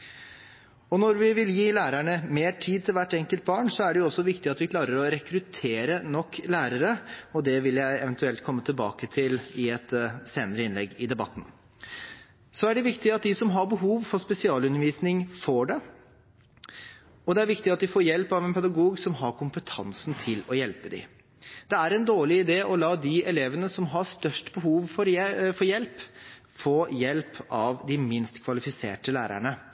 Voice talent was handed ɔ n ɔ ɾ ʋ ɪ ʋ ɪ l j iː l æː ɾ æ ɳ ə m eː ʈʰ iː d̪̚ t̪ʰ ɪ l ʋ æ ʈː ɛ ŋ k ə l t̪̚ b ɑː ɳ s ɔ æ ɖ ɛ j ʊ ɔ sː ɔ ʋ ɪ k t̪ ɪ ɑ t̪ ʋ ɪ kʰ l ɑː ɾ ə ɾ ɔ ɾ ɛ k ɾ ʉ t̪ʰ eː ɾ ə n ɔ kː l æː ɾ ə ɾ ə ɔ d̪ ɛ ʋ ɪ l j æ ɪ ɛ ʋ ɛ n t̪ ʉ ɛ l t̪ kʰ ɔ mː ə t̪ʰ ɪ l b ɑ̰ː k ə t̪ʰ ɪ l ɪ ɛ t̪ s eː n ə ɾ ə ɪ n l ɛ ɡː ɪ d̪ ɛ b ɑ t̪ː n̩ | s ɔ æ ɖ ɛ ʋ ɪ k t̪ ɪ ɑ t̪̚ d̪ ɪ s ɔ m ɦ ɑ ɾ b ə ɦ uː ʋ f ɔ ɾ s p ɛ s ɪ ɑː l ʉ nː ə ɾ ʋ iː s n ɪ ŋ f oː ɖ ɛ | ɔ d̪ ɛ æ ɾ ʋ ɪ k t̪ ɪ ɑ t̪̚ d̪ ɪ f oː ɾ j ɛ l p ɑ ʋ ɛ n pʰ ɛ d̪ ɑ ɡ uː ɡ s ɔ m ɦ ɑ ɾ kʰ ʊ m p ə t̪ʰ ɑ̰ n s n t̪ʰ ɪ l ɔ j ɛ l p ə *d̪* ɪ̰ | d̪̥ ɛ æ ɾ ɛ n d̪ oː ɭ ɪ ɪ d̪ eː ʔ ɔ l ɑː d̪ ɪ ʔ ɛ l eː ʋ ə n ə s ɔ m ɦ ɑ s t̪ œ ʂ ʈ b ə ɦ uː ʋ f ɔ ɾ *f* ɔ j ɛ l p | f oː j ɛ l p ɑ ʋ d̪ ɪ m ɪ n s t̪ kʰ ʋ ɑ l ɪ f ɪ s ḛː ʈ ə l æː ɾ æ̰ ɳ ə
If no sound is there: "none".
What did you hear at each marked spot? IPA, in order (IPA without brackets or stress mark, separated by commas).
d̪, f